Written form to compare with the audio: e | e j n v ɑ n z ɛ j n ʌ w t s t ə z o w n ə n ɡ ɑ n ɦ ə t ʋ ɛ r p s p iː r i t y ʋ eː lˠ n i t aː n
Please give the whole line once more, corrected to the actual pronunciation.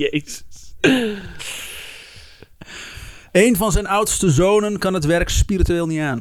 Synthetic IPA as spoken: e | e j n v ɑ n z ɛ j n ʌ w t s t ə z o w n ə n k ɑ n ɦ ə t ʋ ɛ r k s p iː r i t y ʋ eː lˠ n i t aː n